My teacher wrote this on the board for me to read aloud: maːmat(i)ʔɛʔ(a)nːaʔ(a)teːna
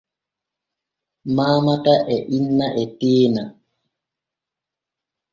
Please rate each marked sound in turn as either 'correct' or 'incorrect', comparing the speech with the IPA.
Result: incorrect: a, incorrect: i, incorrect: ɛ

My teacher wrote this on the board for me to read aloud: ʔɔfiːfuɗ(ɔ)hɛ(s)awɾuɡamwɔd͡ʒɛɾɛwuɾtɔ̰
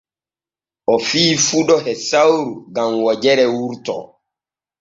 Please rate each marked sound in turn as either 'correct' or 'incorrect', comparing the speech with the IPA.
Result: correct, correct

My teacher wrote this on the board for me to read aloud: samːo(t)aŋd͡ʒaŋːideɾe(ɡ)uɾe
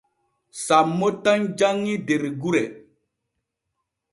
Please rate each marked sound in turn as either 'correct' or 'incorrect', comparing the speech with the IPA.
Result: correct, correct

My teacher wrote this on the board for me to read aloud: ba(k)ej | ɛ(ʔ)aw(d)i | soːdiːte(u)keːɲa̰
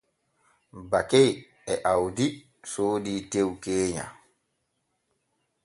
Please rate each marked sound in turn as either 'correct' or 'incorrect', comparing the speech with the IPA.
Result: correct, correct, correct, incorrect: w

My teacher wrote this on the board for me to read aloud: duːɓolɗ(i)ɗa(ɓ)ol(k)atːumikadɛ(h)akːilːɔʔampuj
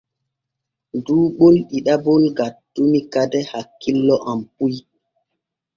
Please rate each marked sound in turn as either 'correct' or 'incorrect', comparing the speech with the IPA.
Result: correct, incorrect: b, incorrect: ɡ, correct

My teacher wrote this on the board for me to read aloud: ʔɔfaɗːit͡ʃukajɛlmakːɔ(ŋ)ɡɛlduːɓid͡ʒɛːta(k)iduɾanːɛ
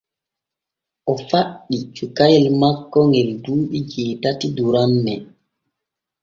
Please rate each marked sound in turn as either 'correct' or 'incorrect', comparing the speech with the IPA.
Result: correct, incorrect: t

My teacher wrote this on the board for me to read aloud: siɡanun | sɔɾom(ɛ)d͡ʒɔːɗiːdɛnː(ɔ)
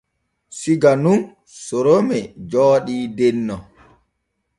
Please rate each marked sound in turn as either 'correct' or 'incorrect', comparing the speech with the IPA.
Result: correct, correct

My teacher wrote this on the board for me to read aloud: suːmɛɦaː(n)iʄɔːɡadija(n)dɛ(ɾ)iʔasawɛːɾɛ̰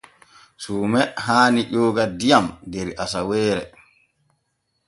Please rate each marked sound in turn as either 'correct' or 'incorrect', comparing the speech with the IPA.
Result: correct, incorrect: m, correct

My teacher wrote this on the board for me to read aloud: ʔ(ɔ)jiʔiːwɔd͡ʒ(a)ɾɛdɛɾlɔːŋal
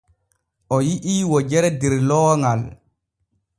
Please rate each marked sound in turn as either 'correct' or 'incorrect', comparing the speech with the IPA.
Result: correct, incorrect: ɛ

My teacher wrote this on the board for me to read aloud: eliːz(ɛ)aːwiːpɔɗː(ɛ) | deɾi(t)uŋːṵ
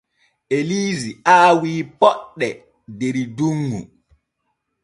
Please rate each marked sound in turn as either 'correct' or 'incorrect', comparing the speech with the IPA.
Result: incorrect: i, correct, incorrect: d

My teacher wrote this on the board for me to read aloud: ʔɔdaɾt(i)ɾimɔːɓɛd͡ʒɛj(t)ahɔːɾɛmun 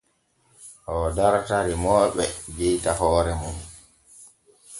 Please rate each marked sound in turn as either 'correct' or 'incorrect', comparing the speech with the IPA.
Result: incorrect: a, correct

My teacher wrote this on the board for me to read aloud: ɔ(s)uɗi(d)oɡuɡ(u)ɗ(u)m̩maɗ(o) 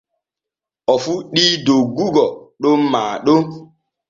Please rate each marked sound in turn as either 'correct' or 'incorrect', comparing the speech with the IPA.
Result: incorrect: f, correct, incorrect: ɔ, incorrect: o, correct

